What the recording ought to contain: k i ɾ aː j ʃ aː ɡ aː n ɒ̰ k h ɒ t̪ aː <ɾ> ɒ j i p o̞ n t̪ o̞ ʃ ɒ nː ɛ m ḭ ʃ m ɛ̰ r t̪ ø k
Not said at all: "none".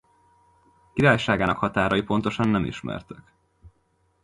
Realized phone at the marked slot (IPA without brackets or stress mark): ɾ